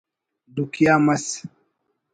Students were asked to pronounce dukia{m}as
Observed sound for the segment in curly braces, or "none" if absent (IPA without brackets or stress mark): m